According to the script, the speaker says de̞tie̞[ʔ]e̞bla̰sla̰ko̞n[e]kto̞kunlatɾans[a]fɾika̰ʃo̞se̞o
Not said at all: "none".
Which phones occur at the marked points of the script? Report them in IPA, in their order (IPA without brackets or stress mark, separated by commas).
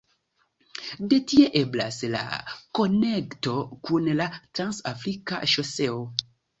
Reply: ʔ, e, a